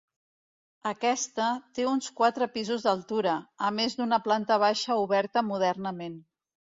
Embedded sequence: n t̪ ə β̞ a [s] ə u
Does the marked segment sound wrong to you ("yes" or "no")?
yes